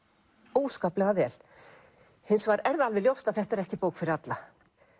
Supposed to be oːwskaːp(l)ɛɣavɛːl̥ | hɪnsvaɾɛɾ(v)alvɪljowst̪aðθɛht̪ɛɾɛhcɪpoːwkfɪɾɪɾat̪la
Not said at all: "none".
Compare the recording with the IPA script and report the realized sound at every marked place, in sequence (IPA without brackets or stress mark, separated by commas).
l, ð